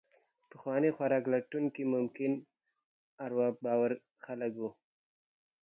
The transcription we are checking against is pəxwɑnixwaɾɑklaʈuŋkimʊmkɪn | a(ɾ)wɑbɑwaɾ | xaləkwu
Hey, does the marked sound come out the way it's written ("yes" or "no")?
yes